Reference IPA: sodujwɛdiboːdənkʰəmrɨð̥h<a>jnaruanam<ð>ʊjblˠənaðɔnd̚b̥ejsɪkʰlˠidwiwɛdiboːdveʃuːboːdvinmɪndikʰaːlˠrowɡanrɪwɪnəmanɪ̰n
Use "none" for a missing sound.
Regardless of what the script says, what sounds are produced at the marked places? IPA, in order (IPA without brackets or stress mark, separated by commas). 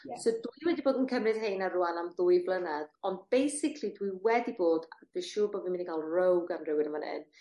e, ð